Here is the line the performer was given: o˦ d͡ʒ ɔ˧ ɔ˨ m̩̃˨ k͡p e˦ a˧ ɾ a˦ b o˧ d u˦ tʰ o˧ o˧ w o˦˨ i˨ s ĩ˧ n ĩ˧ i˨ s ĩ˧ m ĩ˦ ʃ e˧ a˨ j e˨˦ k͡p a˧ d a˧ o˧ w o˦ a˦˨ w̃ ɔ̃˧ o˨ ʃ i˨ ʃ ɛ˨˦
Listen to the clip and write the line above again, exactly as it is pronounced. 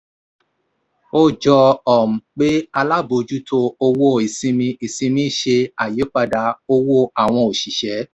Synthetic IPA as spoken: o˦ d͡ʒ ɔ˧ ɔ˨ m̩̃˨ k͡p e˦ a˧ l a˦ b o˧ d͡ʒ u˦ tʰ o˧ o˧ w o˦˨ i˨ s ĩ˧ m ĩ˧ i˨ s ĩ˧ m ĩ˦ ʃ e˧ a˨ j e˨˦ k͡p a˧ d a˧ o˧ w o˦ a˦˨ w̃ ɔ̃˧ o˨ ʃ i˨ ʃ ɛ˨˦

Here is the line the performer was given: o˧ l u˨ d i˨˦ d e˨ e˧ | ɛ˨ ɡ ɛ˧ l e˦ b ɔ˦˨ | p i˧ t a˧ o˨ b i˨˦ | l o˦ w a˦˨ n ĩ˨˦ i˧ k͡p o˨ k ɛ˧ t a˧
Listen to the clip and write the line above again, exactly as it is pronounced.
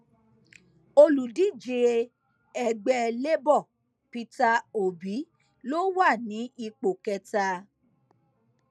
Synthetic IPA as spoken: o˧ l u˨ d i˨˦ d͡ʒ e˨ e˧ | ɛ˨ ɡ͡b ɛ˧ l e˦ b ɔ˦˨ | p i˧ t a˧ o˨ b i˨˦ | l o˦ w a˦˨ n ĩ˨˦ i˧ k͡p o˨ k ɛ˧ t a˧

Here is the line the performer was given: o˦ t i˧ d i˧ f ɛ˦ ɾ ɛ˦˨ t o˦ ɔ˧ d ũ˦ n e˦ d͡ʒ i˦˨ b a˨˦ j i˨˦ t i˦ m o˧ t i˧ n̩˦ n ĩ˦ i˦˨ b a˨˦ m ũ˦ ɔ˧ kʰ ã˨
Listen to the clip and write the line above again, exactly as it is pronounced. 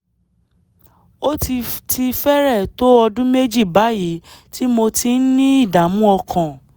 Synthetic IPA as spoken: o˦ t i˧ t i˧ f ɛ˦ ɾ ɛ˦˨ t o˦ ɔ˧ d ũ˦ m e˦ d͡ʒ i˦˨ b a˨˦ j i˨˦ t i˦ m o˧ t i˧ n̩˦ n ĩ˦ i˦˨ d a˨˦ m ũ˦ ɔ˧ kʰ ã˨

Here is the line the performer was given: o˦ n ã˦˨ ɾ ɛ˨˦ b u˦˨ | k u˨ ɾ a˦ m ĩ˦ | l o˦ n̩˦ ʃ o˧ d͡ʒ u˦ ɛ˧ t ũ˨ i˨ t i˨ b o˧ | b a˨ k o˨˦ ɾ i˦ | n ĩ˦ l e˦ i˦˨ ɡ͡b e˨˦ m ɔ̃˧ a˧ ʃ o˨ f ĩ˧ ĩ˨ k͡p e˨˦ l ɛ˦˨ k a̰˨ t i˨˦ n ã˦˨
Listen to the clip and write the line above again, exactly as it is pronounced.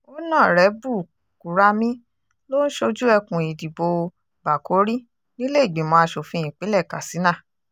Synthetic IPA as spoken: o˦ n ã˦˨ ɾ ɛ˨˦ b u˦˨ | k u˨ ɾ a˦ m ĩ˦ | l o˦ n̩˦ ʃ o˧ d͡ʒ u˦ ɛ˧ k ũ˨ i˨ d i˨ b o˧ | b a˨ k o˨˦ ɾ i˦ | n ĩ˦ l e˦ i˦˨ ɡ͡b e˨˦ m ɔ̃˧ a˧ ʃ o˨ f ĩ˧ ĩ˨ k͡p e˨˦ l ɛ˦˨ k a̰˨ s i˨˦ n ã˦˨

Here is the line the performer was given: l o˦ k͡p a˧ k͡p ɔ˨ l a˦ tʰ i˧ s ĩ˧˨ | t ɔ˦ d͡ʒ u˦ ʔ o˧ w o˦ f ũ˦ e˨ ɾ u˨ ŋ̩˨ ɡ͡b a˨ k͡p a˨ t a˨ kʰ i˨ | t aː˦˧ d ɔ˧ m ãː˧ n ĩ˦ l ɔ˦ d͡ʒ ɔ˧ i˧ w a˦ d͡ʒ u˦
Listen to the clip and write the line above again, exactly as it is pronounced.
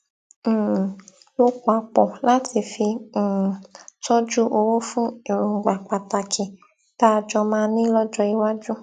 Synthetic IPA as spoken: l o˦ k͡p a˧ k͡p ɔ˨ l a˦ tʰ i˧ f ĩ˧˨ | t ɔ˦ d͡ʒ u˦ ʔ o˧ w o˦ f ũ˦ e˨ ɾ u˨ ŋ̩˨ ɡ͡b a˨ k͡p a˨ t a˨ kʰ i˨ | t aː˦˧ d͡ʒ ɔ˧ m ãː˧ n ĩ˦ l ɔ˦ d͡ʒ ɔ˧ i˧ w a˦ d͡ʒ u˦

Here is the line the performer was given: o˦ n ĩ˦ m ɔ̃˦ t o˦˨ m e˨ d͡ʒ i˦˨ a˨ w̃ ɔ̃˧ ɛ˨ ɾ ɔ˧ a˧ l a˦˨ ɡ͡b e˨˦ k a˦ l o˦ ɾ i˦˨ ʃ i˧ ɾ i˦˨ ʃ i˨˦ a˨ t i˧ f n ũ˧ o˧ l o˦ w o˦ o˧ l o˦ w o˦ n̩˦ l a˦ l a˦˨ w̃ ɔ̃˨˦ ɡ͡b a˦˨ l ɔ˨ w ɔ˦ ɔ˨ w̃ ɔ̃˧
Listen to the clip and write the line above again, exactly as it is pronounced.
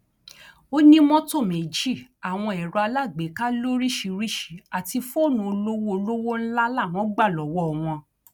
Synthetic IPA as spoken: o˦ n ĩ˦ m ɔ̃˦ t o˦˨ m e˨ d͡ʒ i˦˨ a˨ w̃ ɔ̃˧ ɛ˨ ɾ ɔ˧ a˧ l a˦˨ ɡ͡b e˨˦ k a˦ l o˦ ɾ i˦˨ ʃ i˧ ɾ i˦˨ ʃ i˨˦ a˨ t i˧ f n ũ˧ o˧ l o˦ w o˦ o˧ l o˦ w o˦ n̩˦ l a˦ l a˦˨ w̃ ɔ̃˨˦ ɡ͡b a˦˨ l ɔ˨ w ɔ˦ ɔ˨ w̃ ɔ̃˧

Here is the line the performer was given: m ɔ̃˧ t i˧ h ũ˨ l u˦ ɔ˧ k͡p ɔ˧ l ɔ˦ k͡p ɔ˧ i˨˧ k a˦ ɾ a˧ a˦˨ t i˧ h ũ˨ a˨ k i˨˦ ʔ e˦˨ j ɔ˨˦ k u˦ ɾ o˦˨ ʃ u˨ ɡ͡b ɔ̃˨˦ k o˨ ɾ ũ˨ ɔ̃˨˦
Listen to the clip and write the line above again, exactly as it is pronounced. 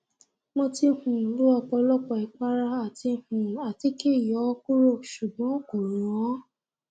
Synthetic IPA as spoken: m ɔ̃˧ t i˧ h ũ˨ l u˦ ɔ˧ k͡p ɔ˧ l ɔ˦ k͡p ɔ˧ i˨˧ k͡p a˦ ɾ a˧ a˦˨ t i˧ h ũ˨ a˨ t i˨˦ k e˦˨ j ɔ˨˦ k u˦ ɾ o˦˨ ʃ u˨ ɡ͡b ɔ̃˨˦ k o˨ ɾ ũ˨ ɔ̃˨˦

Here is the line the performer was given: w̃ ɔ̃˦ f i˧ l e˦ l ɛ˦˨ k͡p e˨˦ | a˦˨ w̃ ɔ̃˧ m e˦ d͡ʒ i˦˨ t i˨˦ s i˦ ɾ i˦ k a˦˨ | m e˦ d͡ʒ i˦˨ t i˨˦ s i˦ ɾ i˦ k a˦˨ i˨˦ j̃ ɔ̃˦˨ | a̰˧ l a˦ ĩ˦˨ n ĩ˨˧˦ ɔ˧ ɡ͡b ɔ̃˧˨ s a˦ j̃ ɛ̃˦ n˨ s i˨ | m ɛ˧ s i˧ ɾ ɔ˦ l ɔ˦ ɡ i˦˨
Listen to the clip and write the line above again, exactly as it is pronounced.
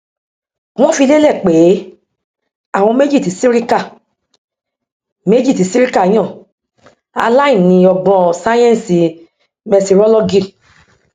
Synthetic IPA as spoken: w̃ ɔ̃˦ f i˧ l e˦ l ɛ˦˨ k͡p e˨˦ | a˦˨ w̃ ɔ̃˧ m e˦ d͡ʒ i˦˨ t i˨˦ s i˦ ɾ i˦ k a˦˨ | m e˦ d͡ʒ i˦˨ t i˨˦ s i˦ ɾ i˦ k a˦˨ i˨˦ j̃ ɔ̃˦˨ | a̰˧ l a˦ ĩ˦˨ n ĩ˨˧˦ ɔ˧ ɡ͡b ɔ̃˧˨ s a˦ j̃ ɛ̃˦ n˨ s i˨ | m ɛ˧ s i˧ ɾ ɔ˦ l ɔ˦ ɡ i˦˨

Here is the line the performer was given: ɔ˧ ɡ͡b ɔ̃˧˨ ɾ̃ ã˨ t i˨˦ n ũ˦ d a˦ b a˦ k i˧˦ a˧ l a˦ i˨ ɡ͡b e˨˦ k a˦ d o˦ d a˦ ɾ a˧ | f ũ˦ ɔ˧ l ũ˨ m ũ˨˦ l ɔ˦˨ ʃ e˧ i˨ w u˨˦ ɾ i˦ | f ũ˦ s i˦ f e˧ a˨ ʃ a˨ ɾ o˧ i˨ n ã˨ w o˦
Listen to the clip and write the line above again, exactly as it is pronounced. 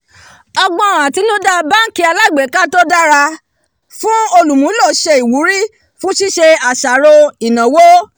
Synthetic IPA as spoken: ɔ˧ ɡ͡b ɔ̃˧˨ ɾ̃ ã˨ t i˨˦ n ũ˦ d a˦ b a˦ k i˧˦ a˧ l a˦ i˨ ɡ͡b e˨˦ k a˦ t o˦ d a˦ ɾ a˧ | f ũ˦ o˧ l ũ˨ m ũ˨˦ l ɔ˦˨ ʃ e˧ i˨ w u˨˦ ɾ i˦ | f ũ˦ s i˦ ʃ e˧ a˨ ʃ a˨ ɾ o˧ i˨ n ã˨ w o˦

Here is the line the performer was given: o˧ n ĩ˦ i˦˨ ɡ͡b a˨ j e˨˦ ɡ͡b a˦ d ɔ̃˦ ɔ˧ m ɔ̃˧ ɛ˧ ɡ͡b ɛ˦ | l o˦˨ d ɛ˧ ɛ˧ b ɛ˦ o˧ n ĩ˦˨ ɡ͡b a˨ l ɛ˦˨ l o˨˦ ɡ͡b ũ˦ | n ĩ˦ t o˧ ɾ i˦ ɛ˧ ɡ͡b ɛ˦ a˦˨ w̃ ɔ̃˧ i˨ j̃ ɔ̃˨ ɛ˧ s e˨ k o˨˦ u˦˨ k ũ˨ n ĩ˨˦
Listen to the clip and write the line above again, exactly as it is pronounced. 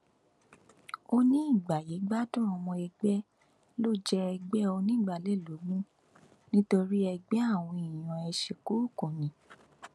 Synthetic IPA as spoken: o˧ n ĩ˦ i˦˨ ɡ͡b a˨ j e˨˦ ɡ͡b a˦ d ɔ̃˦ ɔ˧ m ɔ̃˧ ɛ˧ ɡ͡b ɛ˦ | l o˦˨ d͡ʒ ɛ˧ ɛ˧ ɡ͡b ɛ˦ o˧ n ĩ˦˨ ɡ͡b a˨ l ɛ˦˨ l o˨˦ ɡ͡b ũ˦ | n ĩ˦ t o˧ ɾ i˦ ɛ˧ ɡ͡b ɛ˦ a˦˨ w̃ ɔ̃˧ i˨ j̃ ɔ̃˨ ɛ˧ ʃ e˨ k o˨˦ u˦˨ k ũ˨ n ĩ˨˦

